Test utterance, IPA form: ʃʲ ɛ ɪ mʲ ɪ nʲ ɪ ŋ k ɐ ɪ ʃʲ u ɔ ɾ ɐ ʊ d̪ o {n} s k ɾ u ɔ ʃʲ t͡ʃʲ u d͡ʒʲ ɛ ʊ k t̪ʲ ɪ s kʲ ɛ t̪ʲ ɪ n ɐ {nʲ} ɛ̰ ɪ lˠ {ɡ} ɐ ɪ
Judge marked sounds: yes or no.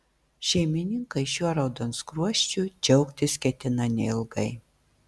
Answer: yes, yes, yes

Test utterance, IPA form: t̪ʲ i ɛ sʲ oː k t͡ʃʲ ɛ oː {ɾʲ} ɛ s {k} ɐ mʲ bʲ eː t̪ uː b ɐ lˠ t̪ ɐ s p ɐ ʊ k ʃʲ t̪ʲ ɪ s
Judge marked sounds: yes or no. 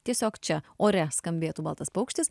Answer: yes, yes

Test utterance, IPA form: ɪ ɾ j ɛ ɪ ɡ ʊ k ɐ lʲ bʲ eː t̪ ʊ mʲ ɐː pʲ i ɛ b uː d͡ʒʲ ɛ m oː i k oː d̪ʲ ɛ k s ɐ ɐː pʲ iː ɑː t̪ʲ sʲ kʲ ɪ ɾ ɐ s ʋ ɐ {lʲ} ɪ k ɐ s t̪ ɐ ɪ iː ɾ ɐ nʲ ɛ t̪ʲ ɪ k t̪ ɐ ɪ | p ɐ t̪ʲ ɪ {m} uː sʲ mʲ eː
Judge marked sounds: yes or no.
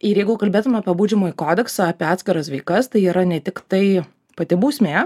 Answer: no, no

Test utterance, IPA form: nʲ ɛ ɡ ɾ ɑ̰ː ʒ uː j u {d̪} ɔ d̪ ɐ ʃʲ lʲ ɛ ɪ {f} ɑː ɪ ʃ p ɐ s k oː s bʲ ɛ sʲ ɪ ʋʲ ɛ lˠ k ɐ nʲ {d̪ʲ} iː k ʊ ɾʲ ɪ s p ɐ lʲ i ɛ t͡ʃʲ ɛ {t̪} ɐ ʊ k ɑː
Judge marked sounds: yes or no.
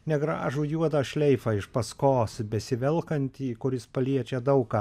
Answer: no, yes, no, no

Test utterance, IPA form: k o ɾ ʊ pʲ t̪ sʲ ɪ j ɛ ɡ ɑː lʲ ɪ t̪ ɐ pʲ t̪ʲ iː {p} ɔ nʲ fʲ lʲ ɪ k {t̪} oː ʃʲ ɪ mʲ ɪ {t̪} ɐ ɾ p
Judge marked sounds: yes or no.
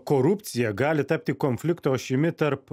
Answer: no, yes, yes

